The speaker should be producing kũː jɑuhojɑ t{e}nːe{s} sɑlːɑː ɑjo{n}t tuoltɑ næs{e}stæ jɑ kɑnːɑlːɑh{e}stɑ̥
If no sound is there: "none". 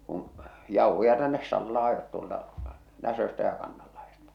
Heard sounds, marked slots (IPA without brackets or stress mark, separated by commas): æ, s, none, ø, e